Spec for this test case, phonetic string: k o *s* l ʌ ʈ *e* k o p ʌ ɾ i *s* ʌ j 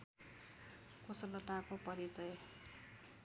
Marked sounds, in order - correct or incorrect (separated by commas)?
correct, incorrect, incorrect